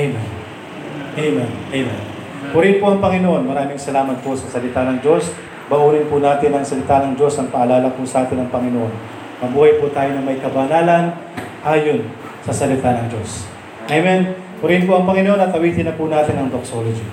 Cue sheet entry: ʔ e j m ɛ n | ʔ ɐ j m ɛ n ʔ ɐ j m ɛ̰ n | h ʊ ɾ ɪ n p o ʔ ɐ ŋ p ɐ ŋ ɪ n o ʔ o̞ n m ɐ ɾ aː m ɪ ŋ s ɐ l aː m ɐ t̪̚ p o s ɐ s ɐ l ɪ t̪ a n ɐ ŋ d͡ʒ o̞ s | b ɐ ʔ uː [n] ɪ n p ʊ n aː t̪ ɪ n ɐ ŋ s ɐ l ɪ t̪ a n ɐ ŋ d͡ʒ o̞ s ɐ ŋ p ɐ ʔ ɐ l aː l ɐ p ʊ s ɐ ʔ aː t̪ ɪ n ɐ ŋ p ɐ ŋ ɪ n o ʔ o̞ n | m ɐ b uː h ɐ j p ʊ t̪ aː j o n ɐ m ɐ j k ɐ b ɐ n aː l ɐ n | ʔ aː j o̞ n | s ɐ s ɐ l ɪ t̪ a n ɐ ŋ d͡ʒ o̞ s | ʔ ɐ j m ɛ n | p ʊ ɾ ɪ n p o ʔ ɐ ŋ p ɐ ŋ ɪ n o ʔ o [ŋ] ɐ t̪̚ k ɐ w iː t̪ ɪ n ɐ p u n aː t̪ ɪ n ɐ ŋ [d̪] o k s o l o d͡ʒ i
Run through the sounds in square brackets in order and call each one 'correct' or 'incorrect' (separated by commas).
correct, incorrect, correct